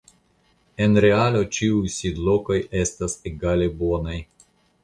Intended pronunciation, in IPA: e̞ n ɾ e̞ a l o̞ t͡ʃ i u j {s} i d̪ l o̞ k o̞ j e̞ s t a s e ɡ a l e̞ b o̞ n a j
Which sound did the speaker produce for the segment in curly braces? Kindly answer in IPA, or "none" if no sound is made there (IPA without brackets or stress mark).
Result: s